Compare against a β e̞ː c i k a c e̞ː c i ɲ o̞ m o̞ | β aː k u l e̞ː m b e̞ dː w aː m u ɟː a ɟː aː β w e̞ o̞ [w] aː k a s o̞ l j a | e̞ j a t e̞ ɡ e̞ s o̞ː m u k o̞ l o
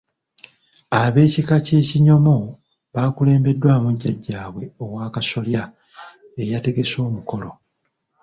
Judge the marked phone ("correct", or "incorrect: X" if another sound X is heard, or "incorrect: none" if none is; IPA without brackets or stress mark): correct